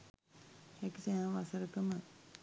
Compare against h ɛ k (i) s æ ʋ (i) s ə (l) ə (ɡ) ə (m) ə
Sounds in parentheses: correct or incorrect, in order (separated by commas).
correct, incorrect, incorrect, incorrect, correct